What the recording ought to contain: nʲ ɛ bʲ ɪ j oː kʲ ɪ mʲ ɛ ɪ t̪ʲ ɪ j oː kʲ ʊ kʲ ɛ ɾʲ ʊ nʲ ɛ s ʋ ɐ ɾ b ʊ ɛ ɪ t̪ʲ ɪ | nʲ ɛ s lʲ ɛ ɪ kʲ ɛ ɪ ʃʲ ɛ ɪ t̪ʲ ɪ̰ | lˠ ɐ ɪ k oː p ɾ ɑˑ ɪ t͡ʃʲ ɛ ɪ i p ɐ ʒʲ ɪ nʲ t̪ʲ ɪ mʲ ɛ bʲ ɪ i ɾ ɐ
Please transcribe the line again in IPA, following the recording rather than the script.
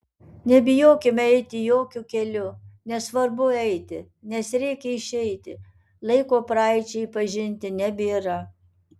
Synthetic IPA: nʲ ɛ bʲ ɪ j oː kʲ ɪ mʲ ɛ ɪ t̪ʲ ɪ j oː kʲ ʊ kʲ ɛ lʲ ʊ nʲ ɛ s ʋ ɐ ɾ b ʊ ɛ ɪ t̪ʲ ɪ | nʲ ɛ s ɾʲ ɛ ɪ kʲ ɛ ɪ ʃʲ ɛ ɪ t̪ʲ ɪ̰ | lˠ ɐ ɪ k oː p ɾ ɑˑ ɪ t͡ʃʲ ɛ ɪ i p ɐ ʒʲ ɪ nʲ t̪ʲ ɪ nʲ ɛ bʲ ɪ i ɾ ɐ